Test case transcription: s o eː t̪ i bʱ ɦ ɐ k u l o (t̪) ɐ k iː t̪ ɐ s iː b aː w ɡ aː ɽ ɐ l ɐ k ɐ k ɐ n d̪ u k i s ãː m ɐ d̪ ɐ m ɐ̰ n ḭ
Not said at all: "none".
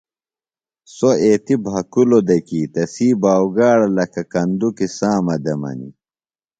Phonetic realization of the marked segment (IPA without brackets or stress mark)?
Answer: d̪